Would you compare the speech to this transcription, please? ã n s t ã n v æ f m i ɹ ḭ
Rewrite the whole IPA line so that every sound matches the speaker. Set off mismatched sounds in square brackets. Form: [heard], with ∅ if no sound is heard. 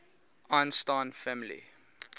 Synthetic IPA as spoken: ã n s t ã n [f] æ [∅] m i [l] ḭ